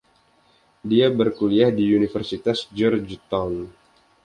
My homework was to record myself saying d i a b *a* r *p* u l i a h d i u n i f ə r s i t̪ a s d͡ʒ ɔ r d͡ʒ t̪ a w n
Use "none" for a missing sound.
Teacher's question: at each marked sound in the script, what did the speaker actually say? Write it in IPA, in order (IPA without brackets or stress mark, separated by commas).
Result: ə, k